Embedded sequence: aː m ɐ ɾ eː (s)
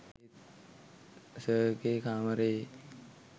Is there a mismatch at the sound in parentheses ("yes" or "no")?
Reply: yes